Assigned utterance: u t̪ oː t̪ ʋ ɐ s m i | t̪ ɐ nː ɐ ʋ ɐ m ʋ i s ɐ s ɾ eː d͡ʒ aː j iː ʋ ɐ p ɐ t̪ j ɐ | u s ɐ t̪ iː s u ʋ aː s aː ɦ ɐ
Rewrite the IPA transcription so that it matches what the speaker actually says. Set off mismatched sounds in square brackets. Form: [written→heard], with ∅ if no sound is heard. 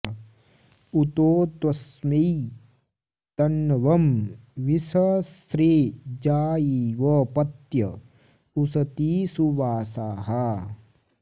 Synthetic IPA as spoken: u t̪ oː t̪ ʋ ɐ s m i | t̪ ɐ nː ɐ ʋ ɐ m ʋ i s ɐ s ɾ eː d͡ʒ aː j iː ʋ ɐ p ɐ t̪ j ɐ | u s ɐ t̪ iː s u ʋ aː s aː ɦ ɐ